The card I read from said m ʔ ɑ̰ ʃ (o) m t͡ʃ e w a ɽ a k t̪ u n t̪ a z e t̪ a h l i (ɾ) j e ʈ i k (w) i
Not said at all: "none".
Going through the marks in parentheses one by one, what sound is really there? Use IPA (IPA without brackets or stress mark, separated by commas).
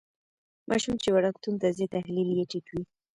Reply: u, l, w